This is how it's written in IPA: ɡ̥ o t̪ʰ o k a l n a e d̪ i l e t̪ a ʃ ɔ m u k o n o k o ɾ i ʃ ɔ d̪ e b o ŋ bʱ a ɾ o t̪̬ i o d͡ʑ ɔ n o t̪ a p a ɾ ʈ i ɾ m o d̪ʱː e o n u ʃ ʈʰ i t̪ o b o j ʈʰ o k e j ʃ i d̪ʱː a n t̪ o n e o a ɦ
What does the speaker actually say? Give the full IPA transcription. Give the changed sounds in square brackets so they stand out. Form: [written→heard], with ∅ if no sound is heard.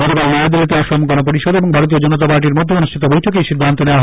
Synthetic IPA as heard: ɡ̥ [o→ɔ] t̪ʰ o k a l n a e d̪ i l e t̪ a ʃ ɔ m u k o n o [k→p] o ɾ i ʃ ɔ d̪ e b o ŋ bʱ a ɾ o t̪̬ i o d͡ʑ ɔ n o t̪ a p a ɾ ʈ i ɾ m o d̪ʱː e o n u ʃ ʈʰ i t̪ o b o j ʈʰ o k e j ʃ i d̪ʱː a n t̪ o n e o a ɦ